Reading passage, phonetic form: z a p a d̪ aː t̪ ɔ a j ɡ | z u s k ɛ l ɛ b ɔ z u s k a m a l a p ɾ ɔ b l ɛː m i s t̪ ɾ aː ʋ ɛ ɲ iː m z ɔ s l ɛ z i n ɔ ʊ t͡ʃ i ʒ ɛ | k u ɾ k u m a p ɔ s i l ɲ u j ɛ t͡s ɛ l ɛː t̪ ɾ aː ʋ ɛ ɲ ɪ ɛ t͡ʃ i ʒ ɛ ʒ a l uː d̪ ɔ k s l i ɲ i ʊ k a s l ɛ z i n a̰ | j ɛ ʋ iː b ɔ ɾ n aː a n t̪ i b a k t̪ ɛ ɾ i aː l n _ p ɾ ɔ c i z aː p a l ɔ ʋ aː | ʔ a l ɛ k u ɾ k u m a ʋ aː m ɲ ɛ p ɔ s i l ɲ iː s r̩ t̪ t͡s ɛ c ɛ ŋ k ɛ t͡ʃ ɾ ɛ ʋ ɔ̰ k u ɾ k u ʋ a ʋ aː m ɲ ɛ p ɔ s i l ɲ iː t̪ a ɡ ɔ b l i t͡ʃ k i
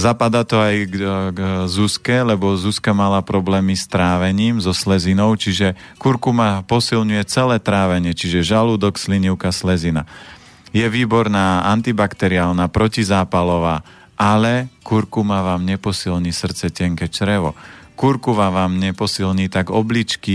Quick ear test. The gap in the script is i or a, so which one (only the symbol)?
a